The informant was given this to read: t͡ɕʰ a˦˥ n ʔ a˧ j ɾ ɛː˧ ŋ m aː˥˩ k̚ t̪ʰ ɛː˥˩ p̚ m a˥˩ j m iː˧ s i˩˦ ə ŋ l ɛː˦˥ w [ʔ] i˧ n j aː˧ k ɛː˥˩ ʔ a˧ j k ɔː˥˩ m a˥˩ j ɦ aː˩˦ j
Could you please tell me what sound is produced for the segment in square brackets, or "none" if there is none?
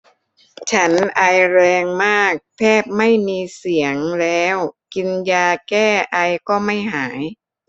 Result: k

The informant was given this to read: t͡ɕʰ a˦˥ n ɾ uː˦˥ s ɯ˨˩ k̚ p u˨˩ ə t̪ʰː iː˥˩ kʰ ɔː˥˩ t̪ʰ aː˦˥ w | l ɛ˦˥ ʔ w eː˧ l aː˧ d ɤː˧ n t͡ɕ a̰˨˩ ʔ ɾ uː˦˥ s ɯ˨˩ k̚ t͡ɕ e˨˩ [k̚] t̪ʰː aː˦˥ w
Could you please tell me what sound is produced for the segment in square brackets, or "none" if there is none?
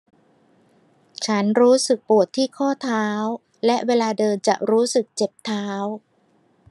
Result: p̚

